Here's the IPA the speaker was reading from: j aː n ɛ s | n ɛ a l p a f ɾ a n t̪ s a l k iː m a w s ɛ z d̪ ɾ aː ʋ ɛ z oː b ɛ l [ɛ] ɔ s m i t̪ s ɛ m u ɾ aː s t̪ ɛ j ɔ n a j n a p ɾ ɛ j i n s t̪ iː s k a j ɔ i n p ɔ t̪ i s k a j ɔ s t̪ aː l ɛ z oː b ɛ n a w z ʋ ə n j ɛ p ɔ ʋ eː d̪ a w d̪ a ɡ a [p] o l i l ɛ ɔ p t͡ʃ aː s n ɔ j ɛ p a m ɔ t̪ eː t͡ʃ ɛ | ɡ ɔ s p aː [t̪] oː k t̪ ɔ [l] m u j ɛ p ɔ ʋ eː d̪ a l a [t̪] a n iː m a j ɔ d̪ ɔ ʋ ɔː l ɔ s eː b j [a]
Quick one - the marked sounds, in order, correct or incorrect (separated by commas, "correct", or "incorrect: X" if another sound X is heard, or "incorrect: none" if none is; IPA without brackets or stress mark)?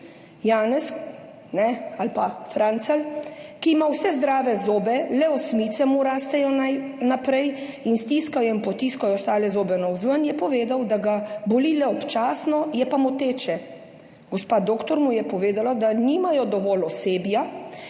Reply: correct, incorrect: b, incorrect: d̪, incorrect: ɾ, incorrect: d̪, correct